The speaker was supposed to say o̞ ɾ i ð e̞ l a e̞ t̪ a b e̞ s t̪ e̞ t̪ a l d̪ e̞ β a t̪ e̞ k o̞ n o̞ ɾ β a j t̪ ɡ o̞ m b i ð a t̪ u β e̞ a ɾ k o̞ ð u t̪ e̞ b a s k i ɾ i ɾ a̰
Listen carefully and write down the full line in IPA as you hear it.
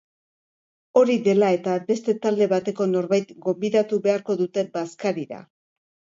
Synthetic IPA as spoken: o̞ ɾ i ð e̞ l a e̞ t̪ a b e̞ s t̪ e̞ t̪ a l d̪ e̞ β a t̪ e̞ k o̞ n o̞ ɾ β a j t̪ ɡ o̞ m b i ð a t̪ u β e̞ a ɾ k o̞ ð u t̪ e̞ b a s k a ɾ i ɾ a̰